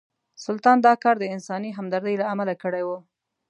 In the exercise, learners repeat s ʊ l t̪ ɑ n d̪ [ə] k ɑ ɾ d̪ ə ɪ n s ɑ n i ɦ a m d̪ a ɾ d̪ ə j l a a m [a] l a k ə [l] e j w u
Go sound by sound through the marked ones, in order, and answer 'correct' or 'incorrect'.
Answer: incorrect: ɑ, correct, incorrect: ɽ

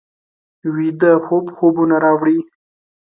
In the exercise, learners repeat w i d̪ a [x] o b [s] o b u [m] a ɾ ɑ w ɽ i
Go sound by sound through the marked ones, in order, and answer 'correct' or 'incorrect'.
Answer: correct, incorrect: x, incorrect: n

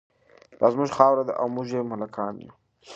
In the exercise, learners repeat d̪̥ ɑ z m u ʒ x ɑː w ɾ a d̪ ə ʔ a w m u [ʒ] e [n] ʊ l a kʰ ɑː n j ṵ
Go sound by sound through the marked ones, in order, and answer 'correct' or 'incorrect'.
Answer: correct, incorrect: m

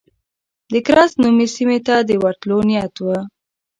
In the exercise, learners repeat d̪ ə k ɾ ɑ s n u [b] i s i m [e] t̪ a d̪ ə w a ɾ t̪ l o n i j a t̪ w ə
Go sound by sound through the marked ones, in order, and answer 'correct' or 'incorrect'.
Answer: incorrect: m, correct

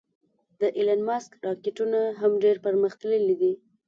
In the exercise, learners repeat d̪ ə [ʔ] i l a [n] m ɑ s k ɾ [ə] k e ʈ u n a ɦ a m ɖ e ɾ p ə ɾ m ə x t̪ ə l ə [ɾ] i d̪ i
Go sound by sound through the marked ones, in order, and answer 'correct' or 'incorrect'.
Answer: correct, correct, incorrect: ɑ, incorrect: l

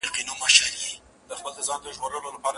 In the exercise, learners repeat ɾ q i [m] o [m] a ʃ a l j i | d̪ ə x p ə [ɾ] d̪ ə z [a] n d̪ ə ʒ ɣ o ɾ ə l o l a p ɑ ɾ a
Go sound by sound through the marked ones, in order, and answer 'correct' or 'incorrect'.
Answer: incorrect: n, correct, incorrect: l, incorrect: ɑ

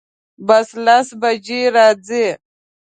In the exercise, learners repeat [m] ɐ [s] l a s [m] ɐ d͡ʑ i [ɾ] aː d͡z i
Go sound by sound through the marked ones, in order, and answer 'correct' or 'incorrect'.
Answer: incorrect: b, correct, incorrect: b, correct

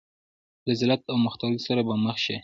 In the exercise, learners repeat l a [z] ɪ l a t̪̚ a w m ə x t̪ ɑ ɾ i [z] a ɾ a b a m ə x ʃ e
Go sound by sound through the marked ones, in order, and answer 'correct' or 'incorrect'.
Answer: correct, incorrect: s

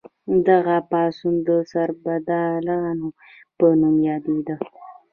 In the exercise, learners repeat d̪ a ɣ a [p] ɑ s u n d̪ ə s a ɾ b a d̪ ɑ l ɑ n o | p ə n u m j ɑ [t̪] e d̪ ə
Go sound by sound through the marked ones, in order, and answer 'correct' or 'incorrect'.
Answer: correct, incorrect: d̪

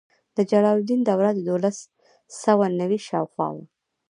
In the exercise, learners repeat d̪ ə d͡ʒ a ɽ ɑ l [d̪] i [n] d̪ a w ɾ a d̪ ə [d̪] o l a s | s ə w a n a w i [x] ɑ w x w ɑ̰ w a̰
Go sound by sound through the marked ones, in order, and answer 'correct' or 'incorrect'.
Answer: correct, correct, correct, incorrect: ʃ

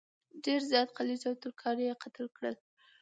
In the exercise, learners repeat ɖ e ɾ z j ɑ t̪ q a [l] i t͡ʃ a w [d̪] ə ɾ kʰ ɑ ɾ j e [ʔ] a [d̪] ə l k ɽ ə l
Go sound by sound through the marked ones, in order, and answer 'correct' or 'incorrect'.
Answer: correct, incorrect: t̪, incorrect: q, incorrect: t̪

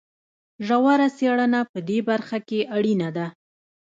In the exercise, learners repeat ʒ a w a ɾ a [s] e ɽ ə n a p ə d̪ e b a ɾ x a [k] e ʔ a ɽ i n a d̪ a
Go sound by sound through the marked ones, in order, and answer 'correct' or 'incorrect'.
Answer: correct, correct

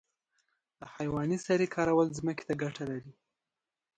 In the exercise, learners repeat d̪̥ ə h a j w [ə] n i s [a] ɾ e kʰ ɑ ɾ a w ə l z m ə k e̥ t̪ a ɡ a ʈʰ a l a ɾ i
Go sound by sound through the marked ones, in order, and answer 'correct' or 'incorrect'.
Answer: incorrect: ɑ, correct

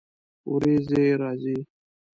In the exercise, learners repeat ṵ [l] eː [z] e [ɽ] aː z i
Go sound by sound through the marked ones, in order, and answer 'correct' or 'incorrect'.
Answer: incorrect: ɾ, correct, incorrect: ɾ

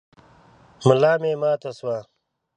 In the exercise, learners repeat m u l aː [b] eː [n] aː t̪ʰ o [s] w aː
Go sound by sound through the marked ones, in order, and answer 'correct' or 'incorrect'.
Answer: incorrect: m, incorrect: m, correct

